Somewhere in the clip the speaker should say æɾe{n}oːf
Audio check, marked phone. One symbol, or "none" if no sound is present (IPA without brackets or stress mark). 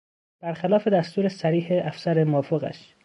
m